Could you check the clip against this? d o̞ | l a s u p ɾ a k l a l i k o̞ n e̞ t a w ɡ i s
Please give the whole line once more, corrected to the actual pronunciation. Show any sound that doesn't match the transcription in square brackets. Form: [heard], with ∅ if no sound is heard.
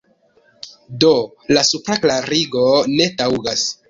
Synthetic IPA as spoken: d o̞ | l a s u p ɾ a k l a [ɾ] i [ɡ] o̞ n e̞ t a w ɡ [a] s